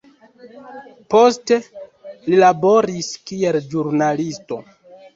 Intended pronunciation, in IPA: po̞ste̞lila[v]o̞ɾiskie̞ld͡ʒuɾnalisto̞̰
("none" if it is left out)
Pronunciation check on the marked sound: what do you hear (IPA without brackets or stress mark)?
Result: b